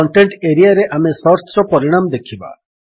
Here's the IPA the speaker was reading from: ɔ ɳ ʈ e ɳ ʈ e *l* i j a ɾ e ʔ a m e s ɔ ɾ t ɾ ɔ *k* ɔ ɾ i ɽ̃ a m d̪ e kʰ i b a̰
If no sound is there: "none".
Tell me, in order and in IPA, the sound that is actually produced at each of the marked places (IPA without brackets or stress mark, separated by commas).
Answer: ɾ, p